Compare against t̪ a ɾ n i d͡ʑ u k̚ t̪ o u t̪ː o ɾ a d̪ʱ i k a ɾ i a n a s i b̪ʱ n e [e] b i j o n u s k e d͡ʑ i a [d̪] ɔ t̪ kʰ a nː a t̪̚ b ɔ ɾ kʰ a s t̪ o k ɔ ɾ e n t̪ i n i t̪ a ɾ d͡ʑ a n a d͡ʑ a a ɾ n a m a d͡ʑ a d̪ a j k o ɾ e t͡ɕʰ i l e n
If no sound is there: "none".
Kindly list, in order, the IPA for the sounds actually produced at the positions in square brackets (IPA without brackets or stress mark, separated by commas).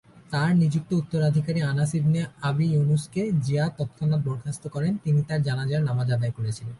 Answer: a, t̪